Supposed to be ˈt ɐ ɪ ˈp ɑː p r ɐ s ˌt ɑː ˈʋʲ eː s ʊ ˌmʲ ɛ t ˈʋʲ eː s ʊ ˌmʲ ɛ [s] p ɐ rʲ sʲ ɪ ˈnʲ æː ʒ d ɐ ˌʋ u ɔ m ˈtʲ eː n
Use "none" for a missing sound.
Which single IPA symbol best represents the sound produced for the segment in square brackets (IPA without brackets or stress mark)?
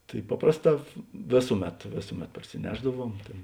t